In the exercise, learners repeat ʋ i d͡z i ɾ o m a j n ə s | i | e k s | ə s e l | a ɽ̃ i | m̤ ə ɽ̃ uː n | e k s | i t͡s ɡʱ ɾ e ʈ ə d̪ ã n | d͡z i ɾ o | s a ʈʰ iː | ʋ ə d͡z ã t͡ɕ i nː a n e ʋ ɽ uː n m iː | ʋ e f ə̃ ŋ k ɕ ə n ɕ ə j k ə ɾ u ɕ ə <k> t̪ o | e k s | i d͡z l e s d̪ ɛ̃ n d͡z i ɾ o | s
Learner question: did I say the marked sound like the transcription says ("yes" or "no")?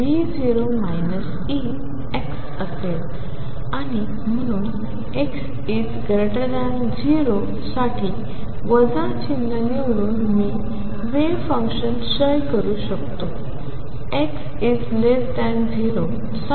yes